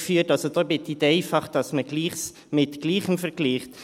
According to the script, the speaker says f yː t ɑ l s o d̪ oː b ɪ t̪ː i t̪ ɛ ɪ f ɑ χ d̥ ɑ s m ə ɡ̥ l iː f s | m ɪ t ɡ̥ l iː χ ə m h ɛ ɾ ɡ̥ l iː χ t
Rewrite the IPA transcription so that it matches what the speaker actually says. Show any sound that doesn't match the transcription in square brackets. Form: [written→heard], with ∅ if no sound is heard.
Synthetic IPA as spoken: f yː t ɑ l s o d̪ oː b ɪ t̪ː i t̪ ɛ ɪ f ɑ χ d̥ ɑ s m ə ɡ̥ l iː [f→χ] s | m ɪ t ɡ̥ l iː χ ə m [h→f] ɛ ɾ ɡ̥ l iː χ t

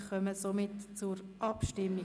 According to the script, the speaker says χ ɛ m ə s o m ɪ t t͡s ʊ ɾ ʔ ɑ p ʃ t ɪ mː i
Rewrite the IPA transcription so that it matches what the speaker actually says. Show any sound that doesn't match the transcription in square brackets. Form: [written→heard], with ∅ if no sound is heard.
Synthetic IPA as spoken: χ [ɛ→œ] m ə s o m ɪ t t͡s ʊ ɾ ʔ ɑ p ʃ t ɪ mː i

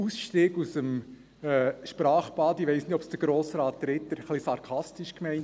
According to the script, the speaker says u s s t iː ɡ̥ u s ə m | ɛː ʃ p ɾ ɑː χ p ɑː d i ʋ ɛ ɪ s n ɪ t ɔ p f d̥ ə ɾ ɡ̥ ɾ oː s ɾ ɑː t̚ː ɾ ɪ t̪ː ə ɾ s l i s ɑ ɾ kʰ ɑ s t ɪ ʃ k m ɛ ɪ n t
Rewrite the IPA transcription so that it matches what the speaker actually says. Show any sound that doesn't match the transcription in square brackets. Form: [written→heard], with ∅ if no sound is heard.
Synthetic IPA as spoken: u s [s→ʃ] t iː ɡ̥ u s ə m | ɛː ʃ p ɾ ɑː χ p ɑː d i ʋ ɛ ɪ s n ɪ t ɔ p [f→s] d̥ ə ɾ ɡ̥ ɾ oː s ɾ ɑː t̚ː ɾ ɪ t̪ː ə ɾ [s→χ] l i s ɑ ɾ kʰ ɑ s t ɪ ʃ k m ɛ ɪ n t

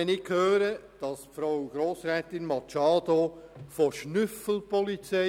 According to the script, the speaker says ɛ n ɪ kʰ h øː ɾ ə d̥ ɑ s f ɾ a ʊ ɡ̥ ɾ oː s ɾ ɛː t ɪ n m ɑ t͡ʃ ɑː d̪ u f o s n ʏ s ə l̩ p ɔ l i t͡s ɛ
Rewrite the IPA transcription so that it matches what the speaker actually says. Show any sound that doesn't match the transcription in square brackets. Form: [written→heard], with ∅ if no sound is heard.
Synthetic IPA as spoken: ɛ n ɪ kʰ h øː ɾ ə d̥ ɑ s f ɾ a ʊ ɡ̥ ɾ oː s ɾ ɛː t ɪ n m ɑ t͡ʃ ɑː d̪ [u→o] f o [s→ʃ] n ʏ [s→f] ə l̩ p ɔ l i t͡s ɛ

